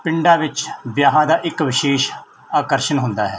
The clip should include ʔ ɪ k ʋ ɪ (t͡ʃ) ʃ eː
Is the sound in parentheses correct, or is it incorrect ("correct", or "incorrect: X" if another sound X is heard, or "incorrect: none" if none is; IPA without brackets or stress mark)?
incorrect: none